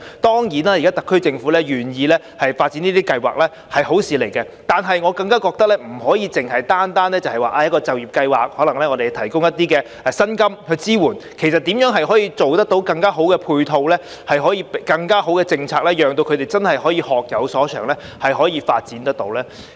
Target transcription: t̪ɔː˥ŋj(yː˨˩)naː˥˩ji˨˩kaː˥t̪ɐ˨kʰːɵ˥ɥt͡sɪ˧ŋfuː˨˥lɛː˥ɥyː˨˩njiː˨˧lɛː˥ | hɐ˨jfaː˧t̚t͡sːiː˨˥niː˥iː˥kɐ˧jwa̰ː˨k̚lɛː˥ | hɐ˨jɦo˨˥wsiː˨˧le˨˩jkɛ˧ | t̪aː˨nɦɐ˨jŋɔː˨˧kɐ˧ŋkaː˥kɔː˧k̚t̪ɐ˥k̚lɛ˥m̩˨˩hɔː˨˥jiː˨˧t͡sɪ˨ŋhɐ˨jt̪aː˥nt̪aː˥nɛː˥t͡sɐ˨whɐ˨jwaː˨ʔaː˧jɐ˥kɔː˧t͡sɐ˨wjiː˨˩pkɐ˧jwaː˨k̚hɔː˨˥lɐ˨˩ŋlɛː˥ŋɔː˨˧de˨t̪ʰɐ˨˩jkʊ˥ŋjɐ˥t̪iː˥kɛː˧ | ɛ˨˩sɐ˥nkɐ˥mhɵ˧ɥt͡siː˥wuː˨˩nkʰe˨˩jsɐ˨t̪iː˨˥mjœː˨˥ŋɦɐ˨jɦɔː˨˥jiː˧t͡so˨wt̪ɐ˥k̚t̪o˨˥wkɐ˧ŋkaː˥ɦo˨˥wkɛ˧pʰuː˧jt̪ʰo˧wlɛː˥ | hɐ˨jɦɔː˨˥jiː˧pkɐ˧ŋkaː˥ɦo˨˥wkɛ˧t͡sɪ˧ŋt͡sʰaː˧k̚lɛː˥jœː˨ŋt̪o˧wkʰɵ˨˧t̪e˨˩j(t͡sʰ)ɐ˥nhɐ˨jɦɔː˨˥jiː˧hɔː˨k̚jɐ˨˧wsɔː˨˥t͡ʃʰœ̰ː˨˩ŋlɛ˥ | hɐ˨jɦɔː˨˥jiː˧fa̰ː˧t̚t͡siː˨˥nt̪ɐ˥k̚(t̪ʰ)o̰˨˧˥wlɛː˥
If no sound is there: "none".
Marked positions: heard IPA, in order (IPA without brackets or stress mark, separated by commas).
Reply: iː˨˩, t͡s, t̪